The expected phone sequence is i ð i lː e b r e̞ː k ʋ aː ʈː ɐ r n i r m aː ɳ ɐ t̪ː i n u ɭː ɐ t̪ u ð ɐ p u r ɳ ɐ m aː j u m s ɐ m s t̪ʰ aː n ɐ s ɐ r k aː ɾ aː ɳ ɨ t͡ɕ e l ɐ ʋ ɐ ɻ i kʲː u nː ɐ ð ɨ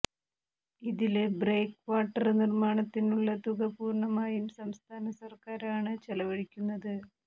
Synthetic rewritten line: i ð i l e b r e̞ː k ʋ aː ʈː ɐ r n i r m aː ɳ ɐ t̪ː i n u ɭː ɐ t̪ u ɣ ɐ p uː r ɳ ɐ m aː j u m s ɐ m s t̪ʰ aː n ɐ s ɐ r k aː ɾ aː ɳ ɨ t͡ɕ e l ɐ ʋ ɐ ɻ i kʲː u nː ɐ ð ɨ